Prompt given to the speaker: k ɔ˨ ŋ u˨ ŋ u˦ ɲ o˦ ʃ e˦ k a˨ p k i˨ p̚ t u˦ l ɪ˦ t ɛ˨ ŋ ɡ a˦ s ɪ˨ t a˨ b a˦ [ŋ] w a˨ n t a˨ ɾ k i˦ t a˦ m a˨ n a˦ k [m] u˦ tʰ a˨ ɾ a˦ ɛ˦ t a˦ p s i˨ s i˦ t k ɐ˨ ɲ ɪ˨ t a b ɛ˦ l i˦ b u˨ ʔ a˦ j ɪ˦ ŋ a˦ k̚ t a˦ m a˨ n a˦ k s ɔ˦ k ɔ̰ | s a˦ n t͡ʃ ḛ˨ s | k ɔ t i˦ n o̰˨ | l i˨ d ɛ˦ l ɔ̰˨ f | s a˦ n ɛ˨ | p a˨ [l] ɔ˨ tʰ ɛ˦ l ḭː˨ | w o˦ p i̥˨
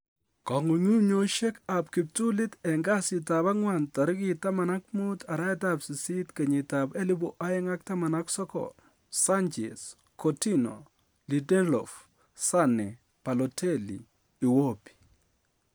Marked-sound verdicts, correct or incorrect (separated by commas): correct, correct, correct